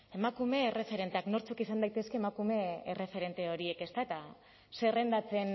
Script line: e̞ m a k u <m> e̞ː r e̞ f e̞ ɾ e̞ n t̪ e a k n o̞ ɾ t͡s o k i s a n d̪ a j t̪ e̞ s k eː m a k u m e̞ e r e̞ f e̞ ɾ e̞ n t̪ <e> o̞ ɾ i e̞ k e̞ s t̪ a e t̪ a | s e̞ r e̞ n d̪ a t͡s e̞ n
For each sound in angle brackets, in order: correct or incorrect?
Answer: correct, correct

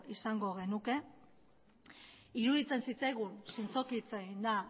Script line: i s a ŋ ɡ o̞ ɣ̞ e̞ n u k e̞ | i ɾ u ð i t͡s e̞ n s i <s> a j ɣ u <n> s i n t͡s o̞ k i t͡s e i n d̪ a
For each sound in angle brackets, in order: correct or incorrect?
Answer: incorrect, correct

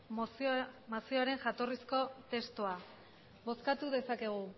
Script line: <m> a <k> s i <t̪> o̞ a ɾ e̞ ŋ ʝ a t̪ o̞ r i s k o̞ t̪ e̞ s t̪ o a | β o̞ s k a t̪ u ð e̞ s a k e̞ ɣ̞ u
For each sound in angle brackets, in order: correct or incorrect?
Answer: correct, incorrect, incorrect

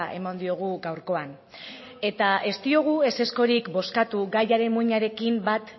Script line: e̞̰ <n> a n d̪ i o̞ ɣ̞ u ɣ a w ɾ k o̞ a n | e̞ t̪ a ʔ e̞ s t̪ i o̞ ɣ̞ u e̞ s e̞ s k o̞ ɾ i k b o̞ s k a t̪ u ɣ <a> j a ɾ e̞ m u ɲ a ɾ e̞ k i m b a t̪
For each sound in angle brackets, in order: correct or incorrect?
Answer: incorrect, correct

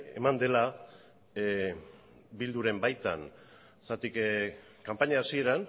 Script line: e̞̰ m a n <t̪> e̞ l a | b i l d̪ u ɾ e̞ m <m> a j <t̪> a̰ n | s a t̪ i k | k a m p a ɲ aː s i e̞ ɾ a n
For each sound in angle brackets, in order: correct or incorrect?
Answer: incorrect, incorrect, correct

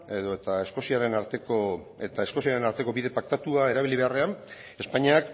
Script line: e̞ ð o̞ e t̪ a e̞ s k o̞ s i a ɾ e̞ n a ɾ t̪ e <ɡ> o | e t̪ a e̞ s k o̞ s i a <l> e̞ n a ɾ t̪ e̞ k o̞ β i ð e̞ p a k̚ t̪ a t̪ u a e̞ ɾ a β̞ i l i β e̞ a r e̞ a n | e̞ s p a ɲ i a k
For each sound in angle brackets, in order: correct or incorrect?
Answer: incorrect, incorrect

